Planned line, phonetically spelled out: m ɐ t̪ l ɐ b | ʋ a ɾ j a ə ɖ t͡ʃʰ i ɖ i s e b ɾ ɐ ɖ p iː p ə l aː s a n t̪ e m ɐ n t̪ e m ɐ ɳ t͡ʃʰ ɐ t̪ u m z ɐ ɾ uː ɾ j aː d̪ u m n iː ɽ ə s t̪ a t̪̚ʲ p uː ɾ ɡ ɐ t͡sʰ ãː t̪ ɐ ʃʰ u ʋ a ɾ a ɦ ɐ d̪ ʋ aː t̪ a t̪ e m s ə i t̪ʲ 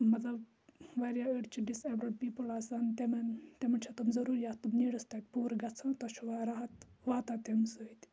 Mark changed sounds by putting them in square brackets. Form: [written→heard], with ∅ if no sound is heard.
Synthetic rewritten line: m ɐ t̪ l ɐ b | ʋ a ɾ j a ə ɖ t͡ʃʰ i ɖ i s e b ɾ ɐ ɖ p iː p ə l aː s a n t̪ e m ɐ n t̪ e m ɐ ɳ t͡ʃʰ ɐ t̪ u m z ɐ ɾ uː ɾ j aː [d̪→t̪] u m n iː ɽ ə s t̪ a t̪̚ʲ p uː ɾ ɡ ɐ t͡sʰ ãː t̪ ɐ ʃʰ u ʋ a ɾ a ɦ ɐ [d̪→t̪] ʋ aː t̪ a t̪ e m s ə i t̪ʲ